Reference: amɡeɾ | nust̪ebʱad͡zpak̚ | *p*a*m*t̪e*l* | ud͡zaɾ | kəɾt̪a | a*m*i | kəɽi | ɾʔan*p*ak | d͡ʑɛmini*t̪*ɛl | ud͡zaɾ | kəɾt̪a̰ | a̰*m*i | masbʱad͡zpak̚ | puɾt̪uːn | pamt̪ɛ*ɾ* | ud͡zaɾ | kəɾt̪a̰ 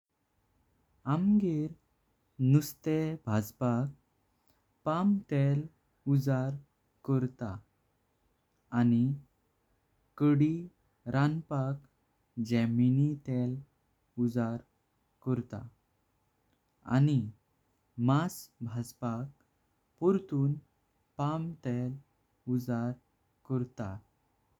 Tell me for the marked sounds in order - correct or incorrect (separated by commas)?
correct, correct, correct, incorrect, correct, correct, incorrect, incorrect